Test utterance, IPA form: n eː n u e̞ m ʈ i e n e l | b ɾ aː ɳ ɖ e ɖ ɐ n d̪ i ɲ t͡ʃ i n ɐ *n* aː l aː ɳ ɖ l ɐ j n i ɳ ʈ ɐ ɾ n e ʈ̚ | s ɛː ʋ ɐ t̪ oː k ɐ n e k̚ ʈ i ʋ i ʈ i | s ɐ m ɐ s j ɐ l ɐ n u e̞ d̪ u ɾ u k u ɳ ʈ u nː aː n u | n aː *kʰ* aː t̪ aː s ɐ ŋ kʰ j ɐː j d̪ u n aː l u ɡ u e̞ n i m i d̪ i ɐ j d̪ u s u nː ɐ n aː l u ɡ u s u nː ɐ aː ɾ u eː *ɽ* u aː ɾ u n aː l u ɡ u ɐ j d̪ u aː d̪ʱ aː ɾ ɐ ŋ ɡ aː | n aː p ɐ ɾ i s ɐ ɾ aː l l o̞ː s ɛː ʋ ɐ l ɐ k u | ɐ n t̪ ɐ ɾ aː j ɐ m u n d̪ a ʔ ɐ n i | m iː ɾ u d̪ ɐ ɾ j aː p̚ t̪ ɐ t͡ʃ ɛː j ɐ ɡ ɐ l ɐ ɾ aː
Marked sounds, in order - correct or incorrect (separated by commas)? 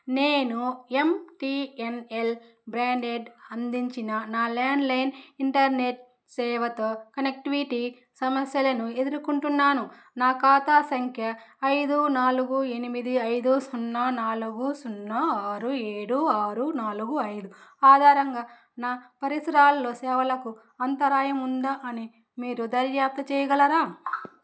correct, incorrect, correct